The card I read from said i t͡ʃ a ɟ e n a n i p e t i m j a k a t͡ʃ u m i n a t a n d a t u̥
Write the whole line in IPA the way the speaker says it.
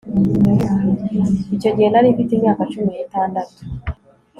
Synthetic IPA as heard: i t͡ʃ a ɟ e n a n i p i t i m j a k a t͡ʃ u m i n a t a n d a t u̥